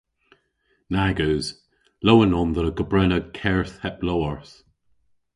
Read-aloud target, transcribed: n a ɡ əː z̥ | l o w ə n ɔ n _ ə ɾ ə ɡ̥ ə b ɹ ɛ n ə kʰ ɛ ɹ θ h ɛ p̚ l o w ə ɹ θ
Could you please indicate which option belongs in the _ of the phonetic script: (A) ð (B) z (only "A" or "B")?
A